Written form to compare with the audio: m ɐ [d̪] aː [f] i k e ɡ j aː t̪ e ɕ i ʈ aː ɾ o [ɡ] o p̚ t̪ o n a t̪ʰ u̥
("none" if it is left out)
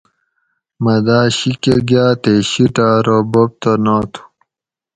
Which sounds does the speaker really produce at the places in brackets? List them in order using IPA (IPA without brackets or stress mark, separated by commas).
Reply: d̪, ɕ, b